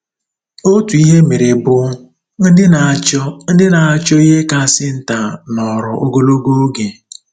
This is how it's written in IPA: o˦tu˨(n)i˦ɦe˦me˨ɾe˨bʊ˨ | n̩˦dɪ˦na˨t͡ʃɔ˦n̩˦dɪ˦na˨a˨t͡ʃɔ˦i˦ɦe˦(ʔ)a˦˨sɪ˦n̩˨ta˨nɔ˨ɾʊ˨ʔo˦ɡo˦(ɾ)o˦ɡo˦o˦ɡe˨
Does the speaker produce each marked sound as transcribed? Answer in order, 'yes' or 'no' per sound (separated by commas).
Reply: no, no, no